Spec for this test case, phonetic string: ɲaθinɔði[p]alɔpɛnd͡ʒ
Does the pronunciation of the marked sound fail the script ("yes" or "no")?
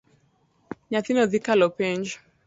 yes